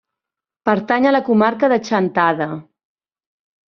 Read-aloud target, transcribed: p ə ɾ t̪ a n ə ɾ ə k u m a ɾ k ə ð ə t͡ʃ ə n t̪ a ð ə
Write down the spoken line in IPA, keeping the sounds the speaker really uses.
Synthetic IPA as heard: p ə ɾ t̪ a ɲ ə l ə k u m a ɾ k ə ð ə t͡ʃ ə n t̪ a ð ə